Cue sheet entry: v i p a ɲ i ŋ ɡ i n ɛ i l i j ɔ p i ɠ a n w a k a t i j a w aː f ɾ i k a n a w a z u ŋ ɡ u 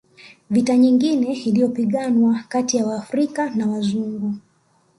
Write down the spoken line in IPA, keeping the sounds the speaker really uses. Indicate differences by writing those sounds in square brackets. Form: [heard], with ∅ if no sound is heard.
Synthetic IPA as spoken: v i [t] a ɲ i ŋ ɡ i n ɛ i l i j ɔ p i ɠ a n w a k a t i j a w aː f ɾ i k a n a w a z u ŋ ɡ u